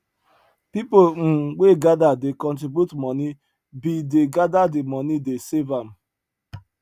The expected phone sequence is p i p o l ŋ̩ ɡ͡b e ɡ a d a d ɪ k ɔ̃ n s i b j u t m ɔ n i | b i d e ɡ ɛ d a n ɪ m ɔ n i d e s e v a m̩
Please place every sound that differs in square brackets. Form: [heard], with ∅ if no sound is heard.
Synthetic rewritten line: p i p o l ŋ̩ ɡ͡b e ɡ a d a d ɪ k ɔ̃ n [t] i b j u t m ɔ n i | b i d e ɡ [a] d a [d] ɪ m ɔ n i d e s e v a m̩

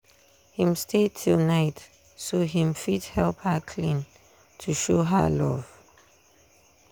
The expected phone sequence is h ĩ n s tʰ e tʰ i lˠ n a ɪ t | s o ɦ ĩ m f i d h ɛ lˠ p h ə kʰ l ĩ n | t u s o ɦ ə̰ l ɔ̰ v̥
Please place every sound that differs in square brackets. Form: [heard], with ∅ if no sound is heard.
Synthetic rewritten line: h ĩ [m] s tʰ e tʰ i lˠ n a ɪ t | s o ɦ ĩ m f i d h ɛ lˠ p h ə kʰ l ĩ n | [tʰ] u [ʃ] o ɦ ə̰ l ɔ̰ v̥

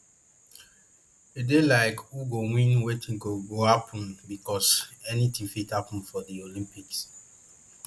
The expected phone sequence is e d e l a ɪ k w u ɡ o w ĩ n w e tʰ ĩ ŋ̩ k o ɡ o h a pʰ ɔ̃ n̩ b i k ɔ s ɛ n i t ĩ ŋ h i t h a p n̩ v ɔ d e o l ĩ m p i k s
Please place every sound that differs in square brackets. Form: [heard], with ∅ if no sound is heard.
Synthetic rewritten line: e d e l a ɪ k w u ɡ o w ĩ n w e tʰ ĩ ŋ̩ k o ɡ o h a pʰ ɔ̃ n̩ b i k ɔ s ɛ n i t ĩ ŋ [f] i t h a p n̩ [f] ɔ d [i] o l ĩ m p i k s

